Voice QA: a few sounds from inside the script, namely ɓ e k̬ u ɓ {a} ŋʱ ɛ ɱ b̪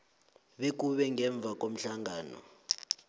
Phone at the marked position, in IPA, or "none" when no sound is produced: ɛ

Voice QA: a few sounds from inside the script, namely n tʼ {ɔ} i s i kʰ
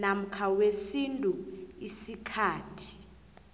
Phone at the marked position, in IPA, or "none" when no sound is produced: u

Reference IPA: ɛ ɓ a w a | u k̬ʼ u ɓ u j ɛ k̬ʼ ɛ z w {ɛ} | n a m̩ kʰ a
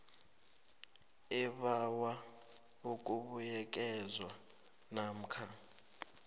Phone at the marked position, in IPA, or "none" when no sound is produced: a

